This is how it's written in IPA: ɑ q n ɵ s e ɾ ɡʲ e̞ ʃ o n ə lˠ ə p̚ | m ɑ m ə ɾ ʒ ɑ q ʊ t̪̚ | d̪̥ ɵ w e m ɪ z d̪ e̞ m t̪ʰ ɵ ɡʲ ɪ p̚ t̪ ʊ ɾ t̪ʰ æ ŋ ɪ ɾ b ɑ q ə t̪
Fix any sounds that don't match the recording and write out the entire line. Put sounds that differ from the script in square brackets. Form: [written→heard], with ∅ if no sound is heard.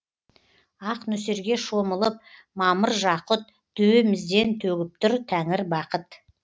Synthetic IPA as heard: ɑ q n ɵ s e ɾ ɡʲ e̞ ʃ o [n→m] ə lˠ ə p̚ | m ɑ m ə ɾ ʒ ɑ q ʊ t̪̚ | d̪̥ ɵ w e m ɪ z d̪ e̞ [m→n] t̪ʰ ɵ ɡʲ ɪ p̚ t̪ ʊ ɾ t̪ʰ æ ŋ ɪ ɾ b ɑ q ə t̪